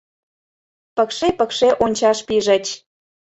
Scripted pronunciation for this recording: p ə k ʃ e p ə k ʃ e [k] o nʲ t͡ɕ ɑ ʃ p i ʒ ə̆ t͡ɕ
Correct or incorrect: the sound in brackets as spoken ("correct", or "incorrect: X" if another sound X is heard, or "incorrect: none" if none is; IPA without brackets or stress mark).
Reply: incorrect: ʔ